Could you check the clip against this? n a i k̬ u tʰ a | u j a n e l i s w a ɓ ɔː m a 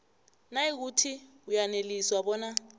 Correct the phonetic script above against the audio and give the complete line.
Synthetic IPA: n a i k̬ u tʰ i | u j a n e l i s w a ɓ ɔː n a